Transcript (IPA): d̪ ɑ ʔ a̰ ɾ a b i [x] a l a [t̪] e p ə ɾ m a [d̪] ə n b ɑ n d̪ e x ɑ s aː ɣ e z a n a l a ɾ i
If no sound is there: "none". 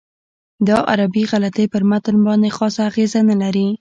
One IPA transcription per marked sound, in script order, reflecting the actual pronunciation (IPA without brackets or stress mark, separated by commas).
ɣ, t̪, t̪